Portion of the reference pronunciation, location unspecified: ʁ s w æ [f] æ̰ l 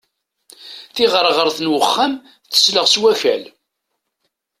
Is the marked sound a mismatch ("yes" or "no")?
no